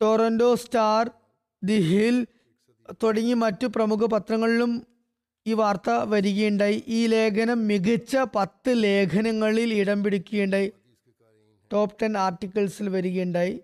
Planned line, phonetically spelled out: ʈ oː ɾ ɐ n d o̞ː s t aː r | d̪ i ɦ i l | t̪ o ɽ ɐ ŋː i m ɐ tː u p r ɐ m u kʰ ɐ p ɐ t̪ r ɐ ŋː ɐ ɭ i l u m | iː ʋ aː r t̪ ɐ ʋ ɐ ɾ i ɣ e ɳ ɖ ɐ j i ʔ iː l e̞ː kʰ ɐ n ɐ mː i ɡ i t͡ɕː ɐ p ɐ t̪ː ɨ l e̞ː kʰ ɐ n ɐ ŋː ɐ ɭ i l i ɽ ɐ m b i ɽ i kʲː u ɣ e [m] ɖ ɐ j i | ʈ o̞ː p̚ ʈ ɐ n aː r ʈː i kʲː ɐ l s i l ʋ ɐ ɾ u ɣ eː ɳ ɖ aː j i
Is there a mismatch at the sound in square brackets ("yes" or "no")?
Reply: yes